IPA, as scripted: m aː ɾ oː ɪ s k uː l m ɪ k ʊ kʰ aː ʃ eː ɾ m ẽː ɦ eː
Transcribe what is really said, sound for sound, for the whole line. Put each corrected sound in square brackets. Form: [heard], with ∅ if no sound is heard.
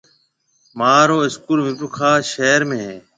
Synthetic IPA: m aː ɾ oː ɪ s k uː l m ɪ [p] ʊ kʰ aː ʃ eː ɾ m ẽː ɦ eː

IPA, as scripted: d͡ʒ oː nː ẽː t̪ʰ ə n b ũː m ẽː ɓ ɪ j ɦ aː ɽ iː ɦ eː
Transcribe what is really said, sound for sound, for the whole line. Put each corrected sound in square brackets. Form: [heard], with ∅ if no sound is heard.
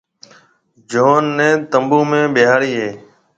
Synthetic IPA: d͡ʒ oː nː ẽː [t̪] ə [m] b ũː m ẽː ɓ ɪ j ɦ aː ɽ iː ɦ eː

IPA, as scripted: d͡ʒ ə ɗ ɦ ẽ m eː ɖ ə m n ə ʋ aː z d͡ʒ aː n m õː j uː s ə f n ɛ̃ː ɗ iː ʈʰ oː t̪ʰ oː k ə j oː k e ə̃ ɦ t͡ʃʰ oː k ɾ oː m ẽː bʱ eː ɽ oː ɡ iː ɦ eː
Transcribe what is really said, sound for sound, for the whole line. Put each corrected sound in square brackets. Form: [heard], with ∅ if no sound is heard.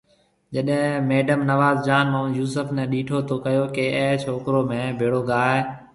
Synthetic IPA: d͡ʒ ə ɗ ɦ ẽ m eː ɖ ə m n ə ʋ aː z d͡ʒ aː n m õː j uː s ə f n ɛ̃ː ɗ iː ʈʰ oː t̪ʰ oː k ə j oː k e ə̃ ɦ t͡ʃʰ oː k ɾ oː m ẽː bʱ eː ɽ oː ɡ [aː] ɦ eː

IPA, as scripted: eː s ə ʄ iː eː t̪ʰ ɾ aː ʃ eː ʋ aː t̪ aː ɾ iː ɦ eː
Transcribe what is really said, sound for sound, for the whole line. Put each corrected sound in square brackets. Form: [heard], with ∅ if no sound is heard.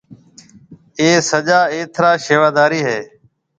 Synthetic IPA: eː s ə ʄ [aː] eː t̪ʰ ɾ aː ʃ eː ʋ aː [d̪] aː ɾ iː ɦ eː

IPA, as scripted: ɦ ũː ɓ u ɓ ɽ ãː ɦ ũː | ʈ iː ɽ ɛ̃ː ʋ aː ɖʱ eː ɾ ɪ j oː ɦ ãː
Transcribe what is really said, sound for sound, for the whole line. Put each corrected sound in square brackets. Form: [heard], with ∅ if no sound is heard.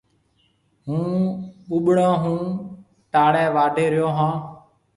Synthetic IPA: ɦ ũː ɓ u ɓ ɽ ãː ɦ ũː | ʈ [aː] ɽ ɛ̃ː ʋ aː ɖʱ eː ɾ ɪ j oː ɦ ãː

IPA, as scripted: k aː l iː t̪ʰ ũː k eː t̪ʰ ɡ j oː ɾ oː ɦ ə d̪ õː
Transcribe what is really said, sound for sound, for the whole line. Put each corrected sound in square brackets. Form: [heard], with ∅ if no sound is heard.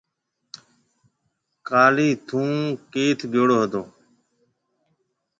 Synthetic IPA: k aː l iː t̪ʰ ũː k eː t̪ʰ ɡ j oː [ɽ] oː ɦ ə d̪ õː

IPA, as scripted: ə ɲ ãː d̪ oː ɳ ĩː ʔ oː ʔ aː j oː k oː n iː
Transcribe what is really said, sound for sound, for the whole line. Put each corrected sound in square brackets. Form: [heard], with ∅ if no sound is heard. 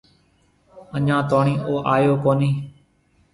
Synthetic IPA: ə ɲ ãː [t̪] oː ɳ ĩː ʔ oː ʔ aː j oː k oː n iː

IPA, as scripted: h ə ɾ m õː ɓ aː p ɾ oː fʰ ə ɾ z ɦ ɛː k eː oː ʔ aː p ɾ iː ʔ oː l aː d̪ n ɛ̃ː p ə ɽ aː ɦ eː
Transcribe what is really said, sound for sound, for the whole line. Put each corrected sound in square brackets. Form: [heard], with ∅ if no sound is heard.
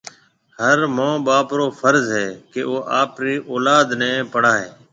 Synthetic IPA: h ə ɾ m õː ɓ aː p ɾ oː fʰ ə ɾ z ɦ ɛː k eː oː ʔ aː p ɾ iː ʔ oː l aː d̪ n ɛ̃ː p ə ɽ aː ɦ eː

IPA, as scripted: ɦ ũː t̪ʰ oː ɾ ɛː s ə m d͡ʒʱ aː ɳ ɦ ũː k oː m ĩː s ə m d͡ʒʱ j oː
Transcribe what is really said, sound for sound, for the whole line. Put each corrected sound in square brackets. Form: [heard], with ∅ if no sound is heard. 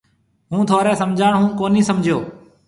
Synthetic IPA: ɦ ũː t̪ʰ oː ɾ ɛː s ə m d͡ʒʱ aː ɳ ɦ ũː k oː [n] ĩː s ə m d͡ʒʱ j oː

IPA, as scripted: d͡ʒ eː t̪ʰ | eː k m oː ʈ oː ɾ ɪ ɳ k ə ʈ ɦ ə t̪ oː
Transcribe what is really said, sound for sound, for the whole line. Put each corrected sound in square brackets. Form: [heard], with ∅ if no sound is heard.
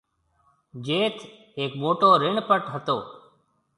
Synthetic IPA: d͡ʒ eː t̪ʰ | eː k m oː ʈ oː ɾ ɪ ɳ [p] ə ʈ ɦ ə t̪ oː

